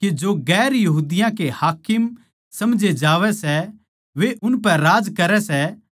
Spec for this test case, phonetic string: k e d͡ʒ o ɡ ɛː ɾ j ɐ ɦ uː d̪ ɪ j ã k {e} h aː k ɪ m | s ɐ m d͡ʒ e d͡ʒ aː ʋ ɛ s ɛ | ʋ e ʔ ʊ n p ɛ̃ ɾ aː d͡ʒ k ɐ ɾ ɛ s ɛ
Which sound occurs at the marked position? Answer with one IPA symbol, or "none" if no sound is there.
e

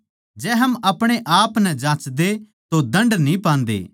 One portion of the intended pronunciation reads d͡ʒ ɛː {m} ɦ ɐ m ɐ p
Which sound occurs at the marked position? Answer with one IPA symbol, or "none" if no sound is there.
none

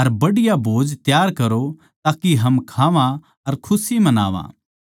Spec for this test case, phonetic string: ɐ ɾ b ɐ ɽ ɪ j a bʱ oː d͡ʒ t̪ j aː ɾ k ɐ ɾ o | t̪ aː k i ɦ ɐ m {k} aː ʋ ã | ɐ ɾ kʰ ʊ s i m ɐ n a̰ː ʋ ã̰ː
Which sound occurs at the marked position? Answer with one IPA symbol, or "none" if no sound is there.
kʰ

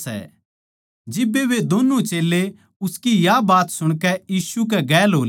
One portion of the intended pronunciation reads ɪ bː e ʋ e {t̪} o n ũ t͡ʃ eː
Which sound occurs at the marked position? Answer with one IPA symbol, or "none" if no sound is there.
d̪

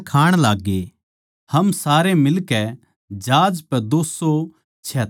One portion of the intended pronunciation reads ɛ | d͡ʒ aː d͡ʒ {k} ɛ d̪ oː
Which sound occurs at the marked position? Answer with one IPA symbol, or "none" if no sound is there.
p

